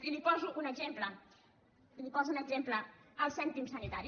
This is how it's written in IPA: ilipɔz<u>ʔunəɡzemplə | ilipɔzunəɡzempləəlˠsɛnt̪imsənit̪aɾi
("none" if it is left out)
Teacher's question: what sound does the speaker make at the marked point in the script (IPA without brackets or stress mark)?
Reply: u